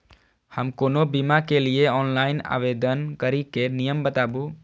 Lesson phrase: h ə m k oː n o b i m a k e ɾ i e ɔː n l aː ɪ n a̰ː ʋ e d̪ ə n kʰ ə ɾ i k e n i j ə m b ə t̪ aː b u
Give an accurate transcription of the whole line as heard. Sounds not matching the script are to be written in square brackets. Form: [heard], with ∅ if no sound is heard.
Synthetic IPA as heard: h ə m k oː n o b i m a k e [l] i e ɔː n l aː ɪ n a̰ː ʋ e d̪ ə n [k] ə ɾ i k e n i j ə m b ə t̪ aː b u